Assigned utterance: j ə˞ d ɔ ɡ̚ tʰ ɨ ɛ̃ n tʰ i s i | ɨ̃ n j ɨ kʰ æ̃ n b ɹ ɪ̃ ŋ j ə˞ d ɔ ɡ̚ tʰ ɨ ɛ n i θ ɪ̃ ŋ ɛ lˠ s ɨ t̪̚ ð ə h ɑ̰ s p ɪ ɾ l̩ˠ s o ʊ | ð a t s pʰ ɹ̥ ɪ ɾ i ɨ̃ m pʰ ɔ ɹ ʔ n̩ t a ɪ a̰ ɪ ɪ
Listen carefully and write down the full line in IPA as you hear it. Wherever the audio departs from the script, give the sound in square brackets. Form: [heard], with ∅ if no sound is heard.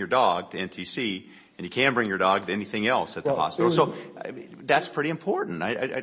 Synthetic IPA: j ə˞ d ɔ ɡ̚ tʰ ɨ ɛ̃ n tʰ i s i | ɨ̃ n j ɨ kʰ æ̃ n b ɹ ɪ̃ ŋ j ə˞ d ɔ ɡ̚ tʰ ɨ ɛ n i θ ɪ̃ ŋ ɛ lˠ s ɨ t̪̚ ð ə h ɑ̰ s p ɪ ɾ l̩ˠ s o ʊ | ð [æ] t s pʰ ɹ̥ ɪ ɾ i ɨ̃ m pʰ ɔ ɹ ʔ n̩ t a ɪ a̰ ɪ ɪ